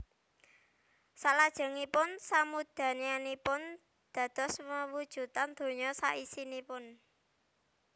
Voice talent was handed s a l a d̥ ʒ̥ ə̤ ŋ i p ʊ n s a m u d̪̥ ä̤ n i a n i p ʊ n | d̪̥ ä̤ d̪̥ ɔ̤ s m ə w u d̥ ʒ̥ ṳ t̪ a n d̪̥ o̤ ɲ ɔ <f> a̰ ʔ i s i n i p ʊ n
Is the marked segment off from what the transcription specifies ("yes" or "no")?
yes